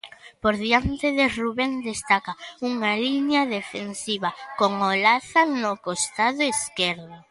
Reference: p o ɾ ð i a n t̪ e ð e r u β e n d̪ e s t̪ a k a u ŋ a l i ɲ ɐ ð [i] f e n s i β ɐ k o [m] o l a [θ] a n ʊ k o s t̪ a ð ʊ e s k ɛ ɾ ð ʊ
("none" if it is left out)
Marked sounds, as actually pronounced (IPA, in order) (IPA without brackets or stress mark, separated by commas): e, ŋ, θ